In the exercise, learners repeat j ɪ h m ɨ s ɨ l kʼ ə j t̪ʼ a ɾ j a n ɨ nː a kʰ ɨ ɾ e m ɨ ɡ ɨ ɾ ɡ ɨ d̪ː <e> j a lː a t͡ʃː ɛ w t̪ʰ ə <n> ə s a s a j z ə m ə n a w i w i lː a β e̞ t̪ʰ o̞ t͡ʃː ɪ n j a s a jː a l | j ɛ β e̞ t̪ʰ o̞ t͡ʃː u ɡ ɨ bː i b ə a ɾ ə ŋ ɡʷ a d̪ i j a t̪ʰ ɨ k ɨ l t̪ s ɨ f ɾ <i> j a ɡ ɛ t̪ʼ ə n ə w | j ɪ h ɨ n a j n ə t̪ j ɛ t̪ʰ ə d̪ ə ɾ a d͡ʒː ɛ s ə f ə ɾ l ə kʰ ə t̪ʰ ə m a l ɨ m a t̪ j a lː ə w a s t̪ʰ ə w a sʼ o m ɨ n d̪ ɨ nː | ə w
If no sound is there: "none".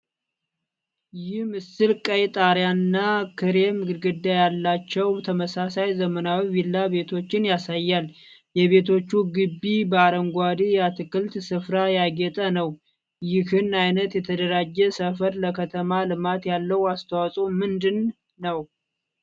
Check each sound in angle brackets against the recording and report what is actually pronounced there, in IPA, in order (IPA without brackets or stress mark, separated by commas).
a, m, a